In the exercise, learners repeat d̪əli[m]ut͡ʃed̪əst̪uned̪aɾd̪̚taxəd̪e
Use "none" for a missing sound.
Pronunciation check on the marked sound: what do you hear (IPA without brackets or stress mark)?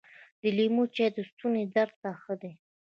m